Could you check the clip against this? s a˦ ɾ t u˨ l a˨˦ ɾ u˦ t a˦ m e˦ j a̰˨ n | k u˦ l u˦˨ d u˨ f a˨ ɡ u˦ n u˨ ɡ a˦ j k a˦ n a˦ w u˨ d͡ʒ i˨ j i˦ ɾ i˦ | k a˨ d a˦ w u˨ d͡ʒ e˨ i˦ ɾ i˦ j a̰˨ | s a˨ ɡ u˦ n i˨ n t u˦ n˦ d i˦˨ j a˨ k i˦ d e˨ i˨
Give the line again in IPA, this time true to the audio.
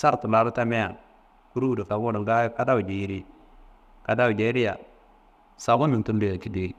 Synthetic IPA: s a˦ ɾ t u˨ l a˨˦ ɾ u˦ t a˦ m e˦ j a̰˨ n | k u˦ ɾ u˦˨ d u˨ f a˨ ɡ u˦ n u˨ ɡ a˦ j k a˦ d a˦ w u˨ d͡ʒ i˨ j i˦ ɾ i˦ | k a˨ d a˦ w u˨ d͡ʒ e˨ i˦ ɾ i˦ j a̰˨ | s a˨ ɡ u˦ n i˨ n t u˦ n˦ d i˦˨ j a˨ k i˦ d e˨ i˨